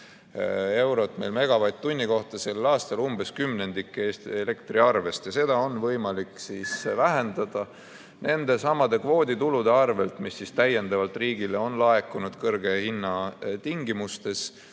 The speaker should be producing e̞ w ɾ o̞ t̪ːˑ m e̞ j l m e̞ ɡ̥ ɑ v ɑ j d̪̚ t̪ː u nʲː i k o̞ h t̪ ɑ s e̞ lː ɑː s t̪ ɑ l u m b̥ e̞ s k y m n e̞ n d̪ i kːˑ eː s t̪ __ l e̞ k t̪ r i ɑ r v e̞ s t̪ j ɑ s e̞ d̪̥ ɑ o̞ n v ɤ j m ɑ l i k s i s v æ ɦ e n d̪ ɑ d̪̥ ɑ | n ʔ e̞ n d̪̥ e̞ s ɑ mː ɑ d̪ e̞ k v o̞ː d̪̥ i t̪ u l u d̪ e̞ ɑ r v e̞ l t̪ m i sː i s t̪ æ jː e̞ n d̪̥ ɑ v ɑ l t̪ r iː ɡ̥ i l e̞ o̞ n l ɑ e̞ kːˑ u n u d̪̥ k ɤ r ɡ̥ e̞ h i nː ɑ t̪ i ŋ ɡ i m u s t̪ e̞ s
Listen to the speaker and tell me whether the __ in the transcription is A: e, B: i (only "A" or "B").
A